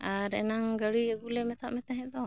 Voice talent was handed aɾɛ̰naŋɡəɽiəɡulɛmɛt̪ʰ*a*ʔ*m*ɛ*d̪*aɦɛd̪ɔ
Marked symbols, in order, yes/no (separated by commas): yes, yes, no